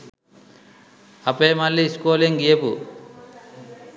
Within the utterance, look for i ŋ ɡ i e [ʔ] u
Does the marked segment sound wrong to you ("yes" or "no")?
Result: yes